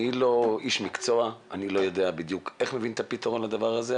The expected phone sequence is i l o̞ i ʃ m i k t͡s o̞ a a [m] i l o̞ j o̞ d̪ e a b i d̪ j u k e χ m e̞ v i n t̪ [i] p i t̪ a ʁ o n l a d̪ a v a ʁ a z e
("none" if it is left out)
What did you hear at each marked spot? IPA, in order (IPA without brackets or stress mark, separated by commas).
n, a